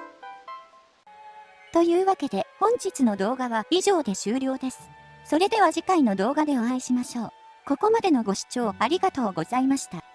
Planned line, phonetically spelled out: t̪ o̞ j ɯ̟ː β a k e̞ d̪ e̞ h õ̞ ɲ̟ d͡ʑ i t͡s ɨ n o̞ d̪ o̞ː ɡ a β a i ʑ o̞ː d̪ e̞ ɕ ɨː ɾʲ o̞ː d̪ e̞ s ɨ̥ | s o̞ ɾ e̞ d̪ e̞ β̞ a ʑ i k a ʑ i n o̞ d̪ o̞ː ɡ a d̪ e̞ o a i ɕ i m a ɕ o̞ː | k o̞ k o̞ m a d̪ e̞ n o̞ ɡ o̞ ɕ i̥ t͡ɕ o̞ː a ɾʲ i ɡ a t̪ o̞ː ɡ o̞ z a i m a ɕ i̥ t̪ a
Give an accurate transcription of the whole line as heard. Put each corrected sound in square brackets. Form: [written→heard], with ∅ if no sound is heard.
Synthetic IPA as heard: t̪ o̞ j ɯ̟ː β a k e̞ d̪ e̞ h õ̞ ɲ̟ d͡ʑ i t͡s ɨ n o̞ d̪ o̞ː ɡ a β a i ʑ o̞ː d̪ e̞ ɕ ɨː ɾʲ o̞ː d̪ e̞ s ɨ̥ | s o̞ ɾ e̞ d̪ e̞ β̞ a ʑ i k a [ʑ→∅] i n o̞ d̪ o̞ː ɡ a d̪ e̞ o a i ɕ i m a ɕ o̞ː | k o̞ k o̞ m a d̪ e̞ n o̞ ɡ o̞ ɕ i̥ t͡ɕ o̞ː a ɾʲ i ɡ a t̪ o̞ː ɡ o̞ z a i m a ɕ i̥ t̪ a

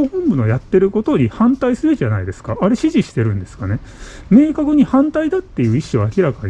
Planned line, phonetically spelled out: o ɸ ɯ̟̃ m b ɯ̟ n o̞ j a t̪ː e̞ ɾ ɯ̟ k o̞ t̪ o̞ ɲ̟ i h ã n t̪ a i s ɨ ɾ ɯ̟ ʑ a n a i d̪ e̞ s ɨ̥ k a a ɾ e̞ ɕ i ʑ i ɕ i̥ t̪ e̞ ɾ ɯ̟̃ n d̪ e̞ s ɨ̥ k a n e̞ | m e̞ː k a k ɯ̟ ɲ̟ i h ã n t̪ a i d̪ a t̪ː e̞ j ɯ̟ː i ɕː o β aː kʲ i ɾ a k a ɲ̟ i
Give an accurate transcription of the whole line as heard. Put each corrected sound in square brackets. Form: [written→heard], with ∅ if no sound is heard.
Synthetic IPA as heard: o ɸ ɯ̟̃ m b ɯ̟ n o̞ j a t̪ː e̞ ɾ ɯ̟ k o̞ t̪ o̞ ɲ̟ i h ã n t̪ a i s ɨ ɾ ɯ̟ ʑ a n a i d̪ e̞ s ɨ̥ k a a ɾ e̞ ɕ i ʑ i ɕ i̥ t̪ e̞ ɾ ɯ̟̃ n d̪ e̞ s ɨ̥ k a n e̞ | m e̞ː k a k ɯ̟ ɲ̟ i h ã n t̪ a i d̪ a t̪ː e̞ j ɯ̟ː i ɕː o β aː kʲ i ɾ a k a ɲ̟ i

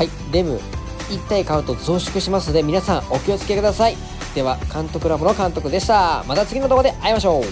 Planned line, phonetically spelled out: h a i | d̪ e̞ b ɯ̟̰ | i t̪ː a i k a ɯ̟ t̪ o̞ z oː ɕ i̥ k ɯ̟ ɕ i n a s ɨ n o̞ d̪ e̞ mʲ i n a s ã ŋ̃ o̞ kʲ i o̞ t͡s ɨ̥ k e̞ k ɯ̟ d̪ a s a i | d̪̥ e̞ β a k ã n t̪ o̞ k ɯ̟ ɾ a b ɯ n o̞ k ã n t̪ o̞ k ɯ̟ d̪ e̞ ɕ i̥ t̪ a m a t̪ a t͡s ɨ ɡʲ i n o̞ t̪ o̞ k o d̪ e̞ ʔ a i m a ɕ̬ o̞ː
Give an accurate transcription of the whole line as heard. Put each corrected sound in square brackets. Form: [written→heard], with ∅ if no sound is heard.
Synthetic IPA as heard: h a i | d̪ e̞ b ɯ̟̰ | i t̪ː a i k a ɯ̟ t̪ o̞ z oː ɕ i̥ k ɯ̟ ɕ i [n→m] a s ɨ n o̞ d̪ e̞ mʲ i n a s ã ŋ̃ o̞ kʲ i o̞ t͡s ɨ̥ k e̞ k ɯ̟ d̪ a s a i | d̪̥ e̞ β a k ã n t̪ o̞ k ɯ̟ ɾ a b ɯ n o̞ k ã n t̪ o̞ k ɯ̟ d̪ e̞ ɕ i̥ t̪ a m a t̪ a t͡s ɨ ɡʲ i n o̞ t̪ o̞ k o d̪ e̞ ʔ a i m a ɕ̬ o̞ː

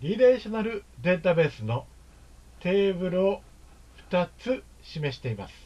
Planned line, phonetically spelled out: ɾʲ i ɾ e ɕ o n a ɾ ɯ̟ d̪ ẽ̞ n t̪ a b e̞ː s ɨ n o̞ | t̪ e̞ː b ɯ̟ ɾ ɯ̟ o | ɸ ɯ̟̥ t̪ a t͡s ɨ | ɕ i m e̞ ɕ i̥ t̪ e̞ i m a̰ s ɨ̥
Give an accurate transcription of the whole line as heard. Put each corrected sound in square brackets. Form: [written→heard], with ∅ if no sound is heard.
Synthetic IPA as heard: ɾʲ i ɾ e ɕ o n a ɾ ɯ̟ d̪ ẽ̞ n t̪ a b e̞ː s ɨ n o̞ | t̪ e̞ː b ɯ̟ ɾ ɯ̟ o | ɸ ɯ̟̥ t̪ a t͡s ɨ | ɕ i m e̞ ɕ i̥ t̪ e̞ i m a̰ s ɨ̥

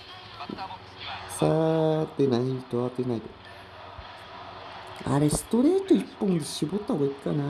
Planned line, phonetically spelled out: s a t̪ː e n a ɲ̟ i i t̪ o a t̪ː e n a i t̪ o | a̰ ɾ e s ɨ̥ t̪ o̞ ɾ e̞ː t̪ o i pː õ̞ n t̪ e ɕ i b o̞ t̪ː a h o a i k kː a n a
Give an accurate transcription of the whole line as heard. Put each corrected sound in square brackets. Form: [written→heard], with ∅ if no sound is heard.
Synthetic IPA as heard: s a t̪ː e n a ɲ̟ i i t̪ o a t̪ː e n a i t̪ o | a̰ ɾ e s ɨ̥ t̪ o̞ ɾ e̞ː t̪ o i pː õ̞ n [t̪→d̪] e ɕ i b o̞ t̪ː a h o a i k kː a n a

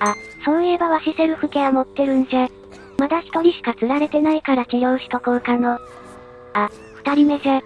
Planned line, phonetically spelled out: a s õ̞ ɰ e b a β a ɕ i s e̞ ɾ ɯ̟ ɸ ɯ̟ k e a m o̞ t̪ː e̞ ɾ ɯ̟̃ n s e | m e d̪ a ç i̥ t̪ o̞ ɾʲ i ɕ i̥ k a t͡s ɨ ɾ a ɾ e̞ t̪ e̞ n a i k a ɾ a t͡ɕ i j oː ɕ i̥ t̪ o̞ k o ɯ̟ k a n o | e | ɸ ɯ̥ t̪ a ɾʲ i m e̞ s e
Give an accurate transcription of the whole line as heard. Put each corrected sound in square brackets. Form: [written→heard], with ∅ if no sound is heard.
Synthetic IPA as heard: a s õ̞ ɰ e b a β a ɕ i s e̞ ɾ ɯ̟ ɸ ɯ̟ k e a m o̞ t̪ː e̞ ɾ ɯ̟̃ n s e | m [e→a] d̪ a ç i̥ t̪ o̞ ɾʲ i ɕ i̥ k a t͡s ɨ ɾ a ɾ e̞ t̪ e̞ n a i k a ɾ a t͡ɕ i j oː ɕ i̥ t̪ o̞ k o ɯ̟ k a n o | [e→a] | ɸ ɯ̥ t̪ a ɾʲ i m e̞ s e

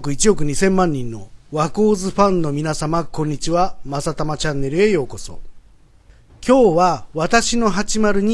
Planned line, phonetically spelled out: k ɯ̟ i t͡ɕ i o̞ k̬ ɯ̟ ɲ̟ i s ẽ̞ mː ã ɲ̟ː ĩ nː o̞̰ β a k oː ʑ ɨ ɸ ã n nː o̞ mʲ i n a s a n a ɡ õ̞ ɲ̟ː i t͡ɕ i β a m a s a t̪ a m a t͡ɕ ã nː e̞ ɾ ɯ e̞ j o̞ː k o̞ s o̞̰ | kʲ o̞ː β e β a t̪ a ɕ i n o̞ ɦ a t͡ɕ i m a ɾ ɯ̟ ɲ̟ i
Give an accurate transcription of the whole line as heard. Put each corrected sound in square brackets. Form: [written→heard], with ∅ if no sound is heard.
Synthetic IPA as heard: k ɯ̟ i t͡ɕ i o̞ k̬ ɯ̟ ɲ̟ i s ẽ̞ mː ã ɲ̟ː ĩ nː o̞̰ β a k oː [ʑ→z] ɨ ɸ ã n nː o̞ mʲ i n a s a [n→m] a [ɡ→k] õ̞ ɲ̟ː i t͡ɕ i β a m a s a t̪ a m a t͡ɕ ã nː e̞ ɾ ɯ e̞ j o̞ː k o̞ s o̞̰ | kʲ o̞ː β [e→a] β a t̪ a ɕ i n o̞ ɦ a t͡ɕ i m a ɾ ɯ̟ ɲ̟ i

